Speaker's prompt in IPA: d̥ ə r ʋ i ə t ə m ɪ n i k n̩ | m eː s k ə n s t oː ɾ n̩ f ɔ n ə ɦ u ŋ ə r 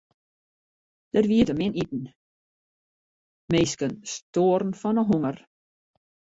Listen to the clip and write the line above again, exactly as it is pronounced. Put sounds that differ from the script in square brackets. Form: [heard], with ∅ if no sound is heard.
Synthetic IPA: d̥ ə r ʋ i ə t ə m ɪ n i [t] n̩ | m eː s k ə n s t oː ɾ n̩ f ɔ n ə ɦ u ŋ ə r